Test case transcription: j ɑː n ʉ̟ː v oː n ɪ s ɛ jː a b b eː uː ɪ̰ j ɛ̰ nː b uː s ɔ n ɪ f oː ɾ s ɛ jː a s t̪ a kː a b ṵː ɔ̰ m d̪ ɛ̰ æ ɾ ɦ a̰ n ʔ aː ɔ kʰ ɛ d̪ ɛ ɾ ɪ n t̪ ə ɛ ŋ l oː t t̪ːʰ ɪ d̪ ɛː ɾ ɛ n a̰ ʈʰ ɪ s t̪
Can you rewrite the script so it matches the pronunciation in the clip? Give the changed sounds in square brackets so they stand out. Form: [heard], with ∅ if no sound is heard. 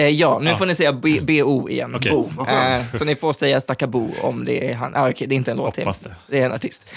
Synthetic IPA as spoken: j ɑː n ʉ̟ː [f] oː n ɪ s ɛ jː a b b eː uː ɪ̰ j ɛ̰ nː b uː s ɔ n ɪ f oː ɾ s ɛ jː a s t̪ a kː a b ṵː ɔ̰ m d̪ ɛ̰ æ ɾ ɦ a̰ n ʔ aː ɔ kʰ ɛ d̪ ɛ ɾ ɪ n t̪ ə ɛ [n] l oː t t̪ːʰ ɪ d̪ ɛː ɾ ɛ n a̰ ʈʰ ɪ s t̪